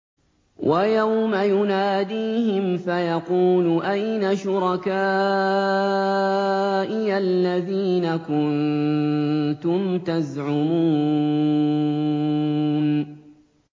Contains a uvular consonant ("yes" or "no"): yes